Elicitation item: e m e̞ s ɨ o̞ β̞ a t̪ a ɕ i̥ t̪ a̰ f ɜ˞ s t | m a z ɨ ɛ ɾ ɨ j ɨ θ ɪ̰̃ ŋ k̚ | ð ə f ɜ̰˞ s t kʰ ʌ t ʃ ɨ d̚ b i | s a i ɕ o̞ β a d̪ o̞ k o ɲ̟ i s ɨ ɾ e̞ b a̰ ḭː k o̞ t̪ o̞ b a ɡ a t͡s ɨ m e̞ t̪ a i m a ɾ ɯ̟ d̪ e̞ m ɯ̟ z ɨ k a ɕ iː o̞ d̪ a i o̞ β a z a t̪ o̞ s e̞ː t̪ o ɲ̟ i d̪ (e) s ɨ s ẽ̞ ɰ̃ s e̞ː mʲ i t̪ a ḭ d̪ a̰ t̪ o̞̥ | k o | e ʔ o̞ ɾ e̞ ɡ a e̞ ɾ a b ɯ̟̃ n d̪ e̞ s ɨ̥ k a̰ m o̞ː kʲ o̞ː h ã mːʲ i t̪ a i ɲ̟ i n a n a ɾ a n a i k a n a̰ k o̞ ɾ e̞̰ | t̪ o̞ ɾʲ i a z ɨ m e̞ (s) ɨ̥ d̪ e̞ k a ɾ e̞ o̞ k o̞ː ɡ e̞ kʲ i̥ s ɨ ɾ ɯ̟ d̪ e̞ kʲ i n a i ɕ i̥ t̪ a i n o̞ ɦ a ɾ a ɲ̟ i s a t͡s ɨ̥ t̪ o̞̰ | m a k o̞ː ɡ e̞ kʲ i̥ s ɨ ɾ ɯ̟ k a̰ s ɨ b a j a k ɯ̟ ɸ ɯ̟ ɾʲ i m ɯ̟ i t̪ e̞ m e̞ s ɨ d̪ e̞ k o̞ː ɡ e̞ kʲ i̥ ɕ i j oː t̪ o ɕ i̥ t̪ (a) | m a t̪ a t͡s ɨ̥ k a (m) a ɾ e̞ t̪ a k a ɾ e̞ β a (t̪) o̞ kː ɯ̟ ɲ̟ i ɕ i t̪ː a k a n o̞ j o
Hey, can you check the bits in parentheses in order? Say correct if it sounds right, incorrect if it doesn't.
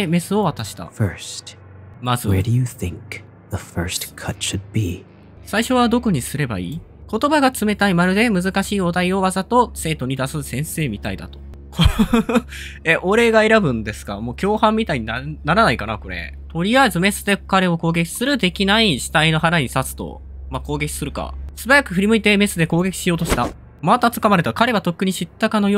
incorrect: a, correct, correct, correct, correct

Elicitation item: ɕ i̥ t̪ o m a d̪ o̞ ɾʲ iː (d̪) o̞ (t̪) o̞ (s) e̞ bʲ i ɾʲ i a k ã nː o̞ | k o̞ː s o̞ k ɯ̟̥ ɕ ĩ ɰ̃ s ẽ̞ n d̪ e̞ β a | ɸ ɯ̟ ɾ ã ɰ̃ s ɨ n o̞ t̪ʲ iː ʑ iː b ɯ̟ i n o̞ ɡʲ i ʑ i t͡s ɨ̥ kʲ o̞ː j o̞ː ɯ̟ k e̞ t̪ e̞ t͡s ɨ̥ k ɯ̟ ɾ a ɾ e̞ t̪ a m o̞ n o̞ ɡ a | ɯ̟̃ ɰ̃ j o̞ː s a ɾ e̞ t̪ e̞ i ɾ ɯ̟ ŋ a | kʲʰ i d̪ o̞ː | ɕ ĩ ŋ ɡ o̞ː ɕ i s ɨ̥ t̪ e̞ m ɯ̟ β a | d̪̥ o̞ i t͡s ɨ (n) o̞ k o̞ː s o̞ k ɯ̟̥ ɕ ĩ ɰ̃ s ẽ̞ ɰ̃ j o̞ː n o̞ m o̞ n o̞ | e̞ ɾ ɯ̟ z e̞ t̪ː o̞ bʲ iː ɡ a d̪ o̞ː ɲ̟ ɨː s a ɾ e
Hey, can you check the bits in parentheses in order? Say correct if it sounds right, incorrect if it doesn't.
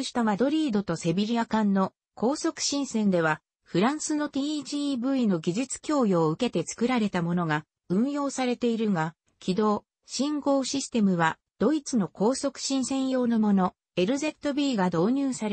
correct, correct, correct, correct

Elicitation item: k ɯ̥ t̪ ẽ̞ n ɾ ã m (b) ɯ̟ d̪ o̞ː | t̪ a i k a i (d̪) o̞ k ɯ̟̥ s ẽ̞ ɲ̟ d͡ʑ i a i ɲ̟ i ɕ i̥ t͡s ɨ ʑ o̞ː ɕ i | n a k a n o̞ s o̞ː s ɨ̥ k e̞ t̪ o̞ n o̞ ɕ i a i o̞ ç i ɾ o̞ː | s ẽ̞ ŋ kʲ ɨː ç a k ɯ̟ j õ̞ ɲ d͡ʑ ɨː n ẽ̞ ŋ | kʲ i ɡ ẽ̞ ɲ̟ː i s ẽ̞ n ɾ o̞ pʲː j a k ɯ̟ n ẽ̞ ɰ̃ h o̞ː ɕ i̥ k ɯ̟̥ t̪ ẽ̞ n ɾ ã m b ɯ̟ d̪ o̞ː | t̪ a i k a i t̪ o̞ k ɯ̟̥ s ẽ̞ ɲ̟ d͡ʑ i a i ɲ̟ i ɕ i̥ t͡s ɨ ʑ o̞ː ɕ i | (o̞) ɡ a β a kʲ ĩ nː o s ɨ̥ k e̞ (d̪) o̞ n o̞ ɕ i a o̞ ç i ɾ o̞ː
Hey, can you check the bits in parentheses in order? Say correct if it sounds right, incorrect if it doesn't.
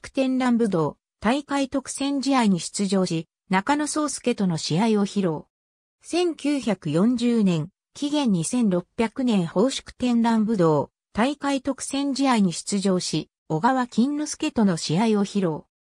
correct, incorrect: t̪, correct, incorrect: t̪

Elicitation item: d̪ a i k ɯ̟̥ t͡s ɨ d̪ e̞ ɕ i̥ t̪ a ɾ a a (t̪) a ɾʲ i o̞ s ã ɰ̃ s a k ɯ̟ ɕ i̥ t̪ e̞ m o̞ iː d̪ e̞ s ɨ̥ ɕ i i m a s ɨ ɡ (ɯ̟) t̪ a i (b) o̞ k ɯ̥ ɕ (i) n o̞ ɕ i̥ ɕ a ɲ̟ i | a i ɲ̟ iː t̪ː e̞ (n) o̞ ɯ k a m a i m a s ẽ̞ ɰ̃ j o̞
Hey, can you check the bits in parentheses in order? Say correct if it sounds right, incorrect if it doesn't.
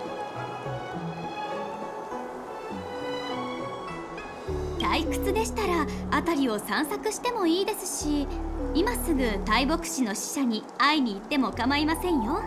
correct, correct, correct, correct, incorrect: m

